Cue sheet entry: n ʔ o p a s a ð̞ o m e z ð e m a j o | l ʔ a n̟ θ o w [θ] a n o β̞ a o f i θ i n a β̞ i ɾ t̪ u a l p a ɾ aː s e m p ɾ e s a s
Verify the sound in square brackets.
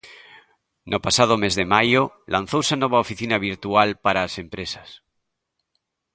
incorrect: s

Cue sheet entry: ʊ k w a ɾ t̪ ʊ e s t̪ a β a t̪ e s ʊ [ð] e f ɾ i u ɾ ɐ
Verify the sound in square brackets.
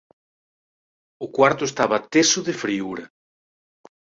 correct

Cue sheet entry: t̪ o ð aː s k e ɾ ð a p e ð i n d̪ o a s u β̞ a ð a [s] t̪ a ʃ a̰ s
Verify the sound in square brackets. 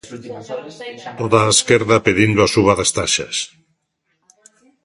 correct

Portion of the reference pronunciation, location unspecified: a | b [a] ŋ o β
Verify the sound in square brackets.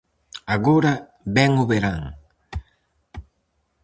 incorrect: ɛ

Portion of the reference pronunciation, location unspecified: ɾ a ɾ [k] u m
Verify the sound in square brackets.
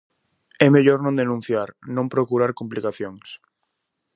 correct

